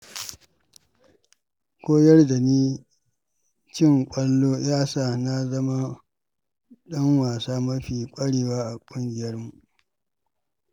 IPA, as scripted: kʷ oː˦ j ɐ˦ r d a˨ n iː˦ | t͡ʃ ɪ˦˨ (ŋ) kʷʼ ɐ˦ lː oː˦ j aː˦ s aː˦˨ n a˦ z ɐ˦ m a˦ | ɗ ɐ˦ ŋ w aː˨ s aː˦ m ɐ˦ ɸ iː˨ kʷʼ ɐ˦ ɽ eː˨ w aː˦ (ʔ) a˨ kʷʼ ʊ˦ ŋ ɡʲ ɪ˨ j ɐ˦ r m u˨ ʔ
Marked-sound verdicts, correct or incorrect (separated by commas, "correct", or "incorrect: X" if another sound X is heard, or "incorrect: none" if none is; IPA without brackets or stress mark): correct, correct